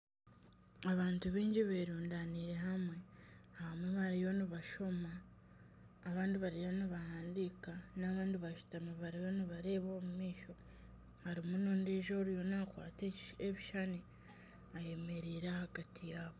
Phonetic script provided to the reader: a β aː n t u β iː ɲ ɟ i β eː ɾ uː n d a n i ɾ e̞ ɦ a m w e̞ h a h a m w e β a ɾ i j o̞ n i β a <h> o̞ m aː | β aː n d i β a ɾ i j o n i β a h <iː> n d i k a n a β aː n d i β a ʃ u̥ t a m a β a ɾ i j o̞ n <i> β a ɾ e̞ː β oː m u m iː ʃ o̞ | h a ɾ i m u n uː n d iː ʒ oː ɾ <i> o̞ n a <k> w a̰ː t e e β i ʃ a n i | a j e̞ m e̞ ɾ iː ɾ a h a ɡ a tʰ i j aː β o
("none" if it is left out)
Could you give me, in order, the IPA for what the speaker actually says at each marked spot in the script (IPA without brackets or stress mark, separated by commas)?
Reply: ʃ, aː, i, j, k